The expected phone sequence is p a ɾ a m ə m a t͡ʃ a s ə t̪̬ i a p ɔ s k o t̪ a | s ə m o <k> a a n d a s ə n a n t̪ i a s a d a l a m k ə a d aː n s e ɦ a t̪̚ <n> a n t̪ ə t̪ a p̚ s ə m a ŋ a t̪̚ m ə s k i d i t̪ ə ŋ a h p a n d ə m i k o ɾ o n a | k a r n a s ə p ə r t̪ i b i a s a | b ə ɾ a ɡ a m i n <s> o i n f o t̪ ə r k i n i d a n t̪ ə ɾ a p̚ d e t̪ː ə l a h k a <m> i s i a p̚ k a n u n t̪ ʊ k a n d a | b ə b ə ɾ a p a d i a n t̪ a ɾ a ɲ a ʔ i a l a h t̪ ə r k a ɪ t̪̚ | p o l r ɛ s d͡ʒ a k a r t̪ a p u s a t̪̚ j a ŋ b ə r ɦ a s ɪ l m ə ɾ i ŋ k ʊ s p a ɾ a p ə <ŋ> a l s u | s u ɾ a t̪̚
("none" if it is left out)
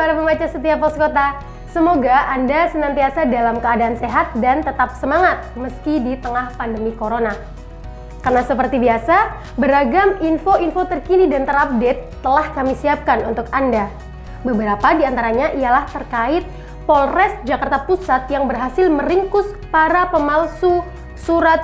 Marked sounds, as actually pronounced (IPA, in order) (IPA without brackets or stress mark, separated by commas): ɡ, d, f, m, m